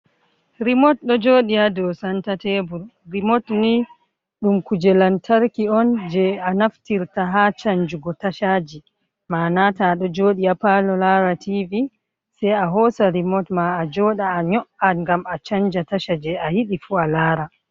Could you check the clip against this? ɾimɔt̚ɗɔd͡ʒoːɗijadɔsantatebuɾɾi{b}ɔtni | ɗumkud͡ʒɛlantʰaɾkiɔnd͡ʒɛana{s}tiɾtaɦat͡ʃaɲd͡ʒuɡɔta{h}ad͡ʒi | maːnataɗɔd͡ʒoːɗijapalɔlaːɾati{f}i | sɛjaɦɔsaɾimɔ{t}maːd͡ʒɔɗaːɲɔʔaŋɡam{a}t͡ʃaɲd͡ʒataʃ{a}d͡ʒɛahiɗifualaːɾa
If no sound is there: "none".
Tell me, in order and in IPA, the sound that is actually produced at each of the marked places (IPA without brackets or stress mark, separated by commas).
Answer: m, f, ʃ, v, t, a, a